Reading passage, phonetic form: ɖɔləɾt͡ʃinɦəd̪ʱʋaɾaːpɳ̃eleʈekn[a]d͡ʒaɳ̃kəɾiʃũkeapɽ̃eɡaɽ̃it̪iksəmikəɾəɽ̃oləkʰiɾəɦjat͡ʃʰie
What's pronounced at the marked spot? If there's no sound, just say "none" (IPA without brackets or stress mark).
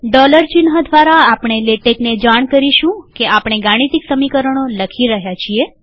e